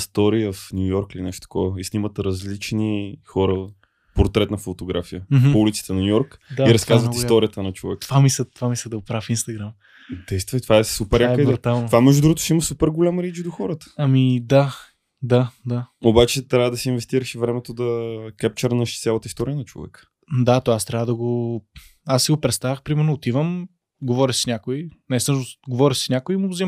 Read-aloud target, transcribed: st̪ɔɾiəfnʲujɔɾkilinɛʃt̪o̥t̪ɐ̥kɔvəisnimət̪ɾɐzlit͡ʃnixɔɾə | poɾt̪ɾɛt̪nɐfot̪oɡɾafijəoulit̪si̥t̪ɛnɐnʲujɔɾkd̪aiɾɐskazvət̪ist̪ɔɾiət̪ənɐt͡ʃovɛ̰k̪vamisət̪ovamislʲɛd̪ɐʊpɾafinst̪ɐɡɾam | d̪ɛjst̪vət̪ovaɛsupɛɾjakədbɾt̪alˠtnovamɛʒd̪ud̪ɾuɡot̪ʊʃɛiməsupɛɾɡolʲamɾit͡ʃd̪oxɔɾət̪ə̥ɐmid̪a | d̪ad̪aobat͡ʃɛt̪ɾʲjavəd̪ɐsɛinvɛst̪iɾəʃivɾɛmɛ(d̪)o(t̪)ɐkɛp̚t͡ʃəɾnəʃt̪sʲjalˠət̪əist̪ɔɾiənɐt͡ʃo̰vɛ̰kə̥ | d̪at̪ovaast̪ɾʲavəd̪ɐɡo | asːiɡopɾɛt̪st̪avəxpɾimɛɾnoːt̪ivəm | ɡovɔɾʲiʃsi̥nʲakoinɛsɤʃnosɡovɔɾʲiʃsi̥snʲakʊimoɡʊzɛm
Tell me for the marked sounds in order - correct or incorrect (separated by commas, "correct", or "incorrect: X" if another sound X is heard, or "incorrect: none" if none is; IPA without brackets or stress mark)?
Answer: incorrect: t̪, incorrect: d̪